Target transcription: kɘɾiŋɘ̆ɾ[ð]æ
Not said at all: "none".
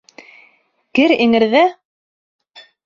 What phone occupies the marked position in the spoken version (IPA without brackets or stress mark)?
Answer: ð